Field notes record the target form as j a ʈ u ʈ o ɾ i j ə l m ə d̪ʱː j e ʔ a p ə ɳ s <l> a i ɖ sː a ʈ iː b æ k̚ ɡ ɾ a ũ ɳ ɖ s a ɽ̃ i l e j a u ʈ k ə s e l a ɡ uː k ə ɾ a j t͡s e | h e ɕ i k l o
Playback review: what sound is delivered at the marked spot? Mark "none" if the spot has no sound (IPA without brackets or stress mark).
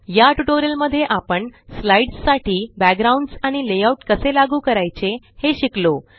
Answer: l